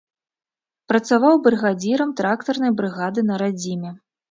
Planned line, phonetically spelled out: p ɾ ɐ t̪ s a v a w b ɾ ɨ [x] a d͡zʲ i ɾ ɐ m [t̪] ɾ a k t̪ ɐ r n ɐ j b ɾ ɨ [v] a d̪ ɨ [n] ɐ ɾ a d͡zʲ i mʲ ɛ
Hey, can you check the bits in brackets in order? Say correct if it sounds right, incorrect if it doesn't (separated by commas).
incorrect, correct, incorrect, correct